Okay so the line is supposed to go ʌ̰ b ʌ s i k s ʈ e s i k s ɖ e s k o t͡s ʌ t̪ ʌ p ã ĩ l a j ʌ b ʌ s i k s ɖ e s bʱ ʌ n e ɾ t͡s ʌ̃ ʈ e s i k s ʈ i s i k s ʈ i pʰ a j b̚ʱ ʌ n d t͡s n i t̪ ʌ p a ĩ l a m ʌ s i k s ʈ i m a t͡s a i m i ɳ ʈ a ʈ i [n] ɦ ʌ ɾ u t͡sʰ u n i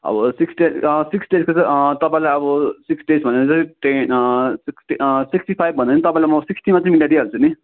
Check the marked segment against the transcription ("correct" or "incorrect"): incorrect